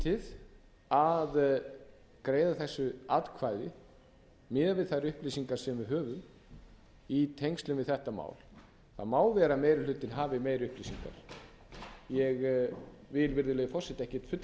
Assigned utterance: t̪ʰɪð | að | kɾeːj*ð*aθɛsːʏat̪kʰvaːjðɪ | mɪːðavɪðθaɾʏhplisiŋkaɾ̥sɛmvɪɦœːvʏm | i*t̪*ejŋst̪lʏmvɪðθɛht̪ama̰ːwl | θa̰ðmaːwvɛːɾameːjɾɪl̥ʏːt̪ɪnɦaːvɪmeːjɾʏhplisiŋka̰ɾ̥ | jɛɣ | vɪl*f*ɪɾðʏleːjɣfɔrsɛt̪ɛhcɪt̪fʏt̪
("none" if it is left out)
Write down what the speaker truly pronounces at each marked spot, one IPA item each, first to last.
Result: ð, t̪ʰ, v

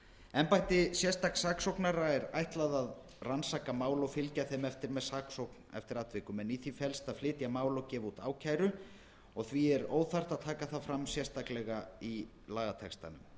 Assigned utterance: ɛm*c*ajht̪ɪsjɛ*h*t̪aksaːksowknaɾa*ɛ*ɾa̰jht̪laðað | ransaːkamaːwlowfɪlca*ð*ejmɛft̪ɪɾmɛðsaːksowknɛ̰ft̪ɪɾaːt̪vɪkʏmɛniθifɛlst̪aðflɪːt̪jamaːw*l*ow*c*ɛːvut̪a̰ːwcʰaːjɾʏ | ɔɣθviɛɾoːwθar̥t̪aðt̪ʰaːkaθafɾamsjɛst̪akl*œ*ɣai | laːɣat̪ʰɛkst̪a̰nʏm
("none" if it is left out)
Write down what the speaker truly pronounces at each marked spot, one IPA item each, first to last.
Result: p, s, ɛ, θ, l, c, ɛ

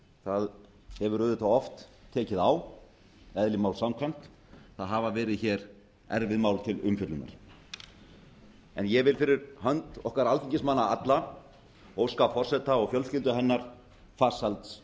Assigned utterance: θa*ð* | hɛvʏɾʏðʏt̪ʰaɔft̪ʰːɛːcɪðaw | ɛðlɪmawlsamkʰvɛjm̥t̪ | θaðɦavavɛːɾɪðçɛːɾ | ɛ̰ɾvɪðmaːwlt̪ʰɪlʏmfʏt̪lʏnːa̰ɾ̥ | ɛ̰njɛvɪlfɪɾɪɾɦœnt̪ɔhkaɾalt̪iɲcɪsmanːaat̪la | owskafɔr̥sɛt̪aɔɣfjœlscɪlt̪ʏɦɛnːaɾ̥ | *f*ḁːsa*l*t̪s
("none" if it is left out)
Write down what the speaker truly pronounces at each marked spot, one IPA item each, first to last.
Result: ð, f, l

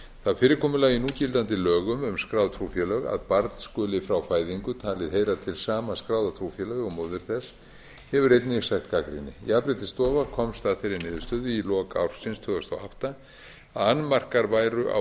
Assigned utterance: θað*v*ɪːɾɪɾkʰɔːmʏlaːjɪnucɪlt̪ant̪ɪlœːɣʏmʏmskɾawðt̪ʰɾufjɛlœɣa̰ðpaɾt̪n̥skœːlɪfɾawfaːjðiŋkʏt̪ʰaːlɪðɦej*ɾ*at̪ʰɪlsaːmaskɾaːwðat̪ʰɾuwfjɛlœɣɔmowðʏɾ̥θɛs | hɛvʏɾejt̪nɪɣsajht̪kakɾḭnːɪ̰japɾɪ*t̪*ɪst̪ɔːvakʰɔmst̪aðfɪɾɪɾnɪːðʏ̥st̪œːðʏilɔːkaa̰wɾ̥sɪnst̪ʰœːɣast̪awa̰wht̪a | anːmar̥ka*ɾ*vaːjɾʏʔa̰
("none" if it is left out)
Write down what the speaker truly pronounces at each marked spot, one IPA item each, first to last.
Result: f, ɾ, t̪, ɾ

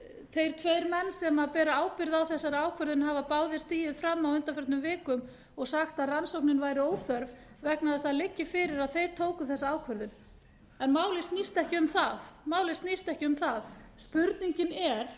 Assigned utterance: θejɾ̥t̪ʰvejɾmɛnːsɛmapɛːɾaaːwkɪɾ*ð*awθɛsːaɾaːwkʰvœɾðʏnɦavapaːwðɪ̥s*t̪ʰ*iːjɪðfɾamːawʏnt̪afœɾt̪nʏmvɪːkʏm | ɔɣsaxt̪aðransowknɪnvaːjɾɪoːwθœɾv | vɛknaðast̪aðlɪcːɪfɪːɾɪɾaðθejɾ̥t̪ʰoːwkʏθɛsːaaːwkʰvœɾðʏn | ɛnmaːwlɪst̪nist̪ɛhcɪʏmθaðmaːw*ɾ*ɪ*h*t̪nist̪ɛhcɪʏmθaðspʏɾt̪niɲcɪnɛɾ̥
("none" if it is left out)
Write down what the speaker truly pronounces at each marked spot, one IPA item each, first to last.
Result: ð, t̪, l, s

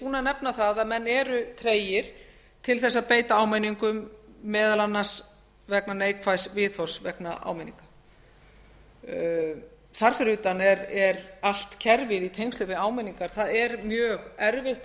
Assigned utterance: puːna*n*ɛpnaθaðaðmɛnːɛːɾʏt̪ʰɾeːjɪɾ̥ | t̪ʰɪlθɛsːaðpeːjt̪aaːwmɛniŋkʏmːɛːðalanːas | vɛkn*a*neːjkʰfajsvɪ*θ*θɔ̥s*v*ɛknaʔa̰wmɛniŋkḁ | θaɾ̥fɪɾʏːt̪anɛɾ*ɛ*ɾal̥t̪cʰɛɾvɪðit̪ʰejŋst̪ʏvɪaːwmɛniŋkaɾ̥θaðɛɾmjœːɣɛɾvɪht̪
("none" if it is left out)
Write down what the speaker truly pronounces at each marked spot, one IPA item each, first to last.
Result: n, a, ð, v, ɛ

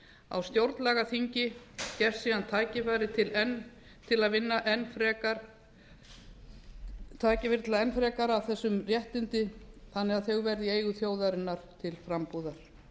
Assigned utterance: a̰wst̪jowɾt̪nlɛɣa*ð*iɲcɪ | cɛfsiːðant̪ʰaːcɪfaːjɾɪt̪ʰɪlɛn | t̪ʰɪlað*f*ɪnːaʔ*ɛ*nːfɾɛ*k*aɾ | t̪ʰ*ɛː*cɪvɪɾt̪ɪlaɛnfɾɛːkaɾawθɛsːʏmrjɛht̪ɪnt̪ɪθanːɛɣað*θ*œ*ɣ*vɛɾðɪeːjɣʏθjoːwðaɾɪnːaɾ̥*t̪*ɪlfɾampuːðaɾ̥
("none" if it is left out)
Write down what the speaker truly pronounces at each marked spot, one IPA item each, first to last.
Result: θ, v, ɛ, k, aː, θ, ɣ, t̪ʰ

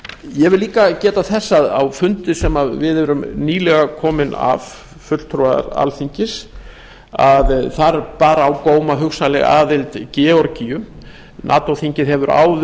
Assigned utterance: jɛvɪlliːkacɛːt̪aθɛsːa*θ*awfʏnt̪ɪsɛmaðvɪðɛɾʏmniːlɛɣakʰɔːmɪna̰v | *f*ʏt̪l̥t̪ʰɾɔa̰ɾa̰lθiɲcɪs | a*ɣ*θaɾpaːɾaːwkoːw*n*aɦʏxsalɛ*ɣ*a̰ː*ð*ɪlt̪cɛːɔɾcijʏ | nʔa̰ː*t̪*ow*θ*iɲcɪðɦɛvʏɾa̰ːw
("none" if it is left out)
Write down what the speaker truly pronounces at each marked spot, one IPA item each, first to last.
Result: ð, f, ð, m, ɣ, ð, t̪, θ

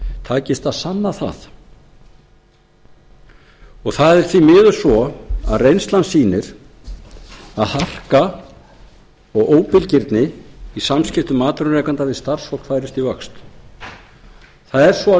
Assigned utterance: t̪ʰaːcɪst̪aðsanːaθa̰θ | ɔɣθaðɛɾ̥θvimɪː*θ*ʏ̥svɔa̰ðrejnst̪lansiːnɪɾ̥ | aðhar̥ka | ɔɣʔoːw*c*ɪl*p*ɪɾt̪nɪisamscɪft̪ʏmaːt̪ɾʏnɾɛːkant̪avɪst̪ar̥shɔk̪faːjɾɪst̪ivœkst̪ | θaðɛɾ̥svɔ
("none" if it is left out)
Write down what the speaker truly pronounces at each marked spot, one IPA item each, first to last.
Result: ð, p, c

